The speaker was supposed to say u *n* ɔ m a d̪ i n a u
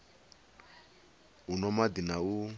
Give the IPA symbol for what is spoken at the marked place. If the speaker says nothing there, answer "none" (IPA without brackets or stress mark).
n